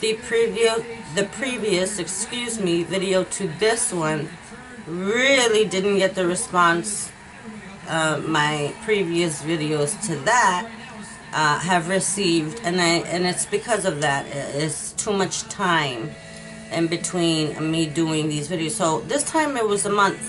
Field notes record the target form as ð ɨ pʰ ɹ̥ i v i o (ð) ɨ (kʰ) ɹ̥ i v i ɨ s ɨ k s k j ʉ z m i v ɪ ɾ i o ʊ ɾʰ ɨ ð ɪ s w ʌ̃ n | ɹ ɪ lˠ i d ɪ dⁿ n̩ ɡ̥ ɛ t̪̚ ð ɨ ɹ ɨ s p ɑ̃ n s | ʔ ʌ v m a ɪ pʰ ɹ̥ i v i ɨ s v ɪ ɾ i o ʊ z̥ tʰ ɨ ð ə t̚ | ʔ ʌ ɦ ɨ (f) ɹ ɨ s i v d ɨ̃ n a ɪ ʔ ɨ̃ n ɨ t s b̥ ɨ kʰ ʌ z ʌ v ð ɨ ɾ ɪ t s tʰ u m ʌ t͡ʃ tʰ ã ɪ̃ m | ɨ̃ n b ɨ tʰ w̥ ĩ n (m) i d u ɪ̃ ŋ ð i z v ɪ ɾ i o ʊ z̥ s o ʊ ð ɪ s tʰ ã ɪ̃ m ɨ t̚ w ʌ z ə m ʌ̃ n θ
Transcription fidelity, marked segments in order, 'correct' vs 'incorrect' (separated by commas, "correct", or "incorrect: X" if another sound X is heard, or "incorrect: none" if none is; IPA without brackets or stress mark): correct, incorrect: pʰ, incorrect: v, correct